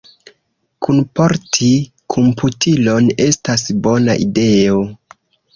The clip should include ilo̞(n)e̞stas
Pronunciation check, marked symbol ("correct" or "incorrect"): correct